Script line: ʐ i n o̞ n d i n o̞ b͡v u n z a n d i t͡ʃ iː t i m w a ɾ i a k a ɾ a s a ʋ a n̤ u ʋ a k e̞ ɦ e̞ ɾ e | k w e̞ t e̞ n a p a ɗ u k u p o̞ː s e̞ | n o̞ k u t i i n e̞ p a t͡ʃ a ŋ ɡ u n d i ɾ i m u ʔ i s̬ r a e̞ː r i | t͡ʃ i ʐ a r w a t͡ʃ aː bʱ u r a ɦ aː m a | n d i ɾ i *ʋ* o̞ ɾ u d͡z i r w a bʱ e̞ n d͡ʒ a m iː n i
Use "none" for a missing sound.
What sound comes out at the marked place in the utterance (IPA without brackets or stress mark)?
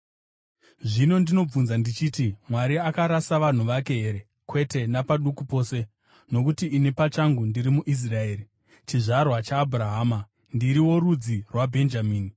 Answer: w